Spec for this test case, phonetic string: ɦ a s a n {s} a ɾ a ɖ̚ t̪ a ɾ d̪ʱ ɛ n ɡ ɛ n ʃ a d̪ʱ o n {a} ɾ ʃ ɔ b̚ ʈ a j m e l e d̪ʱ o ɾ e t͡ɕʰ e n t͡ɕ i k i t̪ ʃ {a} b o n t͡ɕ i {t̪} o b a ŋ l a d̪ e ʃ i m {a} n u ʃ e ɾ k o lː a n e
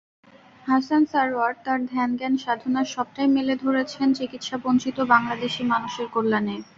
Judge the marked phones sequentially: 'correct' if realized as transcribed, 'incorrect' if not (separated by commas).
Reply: correct, correct, correct, correct, correct